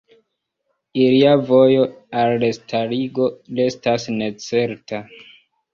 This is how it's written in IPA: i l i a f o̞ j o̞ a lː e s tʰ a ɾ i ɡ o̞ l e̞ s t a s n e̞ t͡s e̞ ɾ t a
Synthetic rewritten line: i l i a v o̞ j o̞ a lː e s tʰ a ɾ i ɡ o̞ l e̞ s t a s n e̞ t͡s e̞ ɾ t a